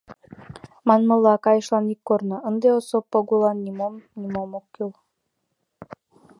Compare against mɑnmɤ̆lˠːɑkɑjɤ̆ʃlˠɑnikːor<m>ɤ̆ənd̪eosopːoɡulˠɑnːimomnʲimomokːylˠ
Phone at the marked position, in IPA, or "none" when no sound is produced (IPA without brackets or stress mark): n